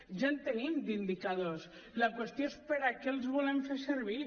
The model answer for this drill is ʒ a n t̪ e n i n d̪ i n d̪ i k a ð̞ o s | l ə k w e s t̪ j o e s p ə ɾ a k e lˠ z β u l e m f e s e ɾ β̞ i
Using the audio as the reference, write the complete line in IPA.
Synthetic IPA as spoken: ʒ a n t̪ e n i m d̪ i n d̪ i k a ð̞ o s | l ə k w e s t̪ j o e s p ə ɾ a k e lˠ z β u l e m f e s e ɾ β̞ i